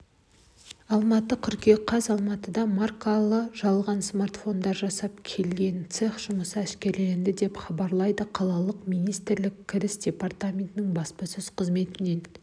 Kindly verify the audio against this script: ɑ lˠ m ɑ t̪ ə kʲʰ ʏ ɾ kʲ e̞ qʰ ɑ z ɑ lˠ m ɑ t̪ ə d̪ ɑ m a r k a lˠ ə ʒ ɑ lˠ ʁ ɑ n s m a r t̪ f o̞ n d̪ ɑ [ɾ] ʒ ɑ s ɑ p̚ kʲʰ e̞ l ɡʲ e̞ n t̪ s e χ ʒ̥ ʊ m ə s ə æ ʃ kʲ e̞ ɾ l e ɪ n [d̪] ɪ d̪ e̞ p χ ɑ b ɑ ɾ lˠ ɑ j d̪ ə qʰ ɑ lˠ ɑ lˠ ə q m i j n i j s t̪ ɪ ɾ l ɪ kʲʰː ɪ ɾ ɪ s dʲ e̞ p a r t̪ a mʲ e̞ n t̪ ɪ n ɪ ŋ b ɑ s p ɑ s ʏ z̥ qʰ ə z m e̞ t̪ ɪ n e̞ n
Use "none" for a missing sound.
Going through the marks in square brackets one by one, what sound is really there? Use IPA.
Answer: ɾ, d̪

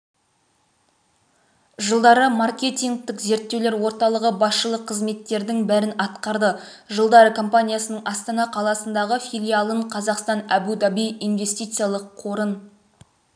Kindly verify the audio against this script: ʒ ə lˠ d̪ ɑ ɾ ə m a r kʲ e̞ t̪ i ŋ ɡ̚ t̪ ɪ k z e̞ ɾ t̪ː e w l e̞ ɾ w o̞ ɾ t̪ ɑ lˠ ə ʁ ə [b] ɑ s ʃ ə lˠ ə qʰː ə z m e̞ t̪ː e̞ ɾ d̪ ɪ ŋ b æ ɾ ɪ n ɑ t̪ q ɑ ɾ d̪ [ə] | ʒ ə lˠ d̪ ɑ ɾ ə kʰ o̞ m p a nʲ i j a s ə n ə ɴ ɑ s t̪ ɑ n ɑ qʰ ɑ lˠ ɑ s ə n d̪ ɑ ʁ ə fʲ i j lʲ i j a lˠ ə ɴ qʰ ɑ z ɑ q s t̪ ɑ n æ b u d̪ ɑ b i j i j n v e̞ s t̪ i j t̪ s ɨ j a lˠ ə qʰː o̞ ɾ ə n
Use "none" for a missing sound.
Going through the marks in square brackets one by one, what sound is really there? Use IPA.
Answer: b, ə

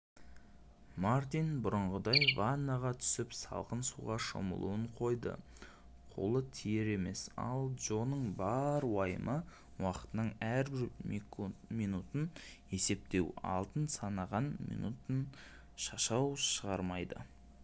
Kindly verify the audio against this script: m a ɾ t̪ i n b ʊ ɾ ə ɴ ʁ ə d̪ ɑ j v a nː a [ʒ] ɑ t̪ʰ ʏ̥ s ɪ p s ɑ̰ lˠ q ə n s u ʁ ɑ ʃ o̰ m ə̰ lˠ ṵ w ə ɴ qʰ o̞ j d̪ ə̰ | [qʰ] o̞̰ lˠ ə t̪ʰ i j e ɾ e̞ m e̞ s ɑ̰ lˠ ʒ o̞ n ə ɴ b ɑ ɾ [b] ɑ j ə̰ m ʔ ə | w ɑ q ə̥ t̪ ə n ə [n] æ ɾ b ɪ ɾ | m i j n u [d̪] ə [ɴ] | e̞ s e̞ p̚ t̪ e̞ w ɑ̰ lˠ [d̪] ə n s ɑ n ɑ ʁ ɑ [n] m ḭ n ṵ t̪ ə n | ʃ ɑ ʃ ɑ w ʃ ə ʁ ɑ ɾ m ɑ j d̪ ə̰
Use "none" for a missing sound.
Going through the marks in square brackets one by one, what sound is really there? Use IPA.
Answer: ʁ, qʰ, w, ɴ, t̪, n, t̪, n

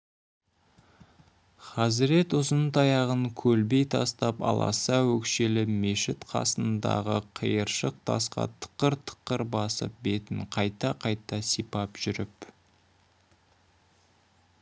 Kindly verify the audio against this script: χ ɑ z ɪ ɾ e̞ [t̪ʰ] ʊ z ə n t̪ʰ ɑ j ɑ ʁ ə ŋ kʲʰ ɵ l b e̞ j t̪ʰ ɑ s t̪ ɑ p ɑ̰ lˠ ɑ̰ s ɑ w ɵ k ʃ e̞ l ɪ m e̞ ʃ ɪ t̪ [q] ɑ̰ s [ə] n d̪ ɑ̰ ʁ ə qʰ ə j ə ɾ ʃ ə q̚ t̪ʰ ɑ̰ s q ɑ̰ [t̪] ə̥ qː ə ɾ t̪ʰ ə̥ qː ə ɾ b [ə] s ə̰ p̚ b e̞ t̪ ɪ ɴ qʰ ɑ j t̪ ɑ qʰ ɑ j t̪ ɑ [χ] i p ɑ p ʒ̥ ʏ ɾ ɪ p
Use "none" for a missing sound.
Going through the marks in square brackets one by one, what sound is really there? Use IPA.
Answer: t̪, qʰ, ə, t̪ʰ, ɑ, s

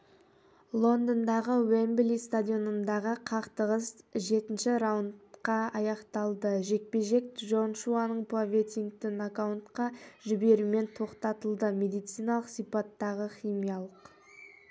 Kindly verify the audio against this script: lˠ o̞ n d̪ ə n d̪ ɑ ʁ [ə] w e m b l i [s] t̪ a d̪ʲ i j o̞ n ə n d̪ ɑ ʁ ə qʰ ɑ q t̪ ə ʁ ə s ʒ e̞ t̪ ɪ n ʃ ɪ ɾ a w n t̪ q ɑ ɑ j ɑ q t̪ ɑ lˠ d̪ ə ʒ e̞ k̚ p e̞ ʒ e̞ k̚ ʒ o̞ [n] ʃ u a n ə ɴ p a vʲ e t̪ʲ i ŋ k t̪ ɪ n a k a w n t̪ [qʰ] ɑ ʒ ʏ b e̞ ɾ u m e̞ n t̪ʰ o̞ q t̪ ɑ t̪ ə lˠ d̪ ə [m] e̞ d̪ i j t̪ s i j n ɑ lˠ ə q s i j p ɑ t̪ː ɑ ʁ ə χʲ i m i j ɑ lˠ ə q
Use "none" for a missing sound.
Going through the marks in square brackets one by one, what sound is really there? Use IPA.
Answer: ə, s, n, q, m

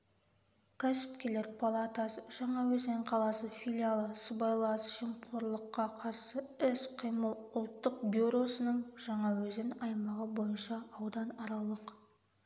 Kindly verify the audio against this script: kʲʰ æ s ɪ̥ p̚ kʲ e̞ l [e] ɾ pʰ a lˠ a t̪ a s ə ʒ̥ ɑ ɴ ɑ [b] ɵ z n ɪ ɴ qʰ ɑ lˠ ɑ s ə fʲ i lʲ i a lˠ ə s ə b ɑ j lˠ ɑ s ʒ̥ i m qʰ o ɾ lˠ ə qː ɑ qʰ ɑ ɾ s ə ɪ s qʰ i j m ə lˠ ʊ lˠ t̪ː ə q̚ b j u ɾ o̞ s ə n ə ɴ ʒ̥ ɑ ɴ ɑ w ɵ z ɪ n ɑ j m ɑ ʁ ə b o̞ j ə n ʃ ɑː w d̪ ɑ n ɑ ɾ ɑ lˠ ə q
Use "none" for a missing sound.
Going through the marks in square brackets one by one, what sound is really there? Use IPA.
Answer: e, w

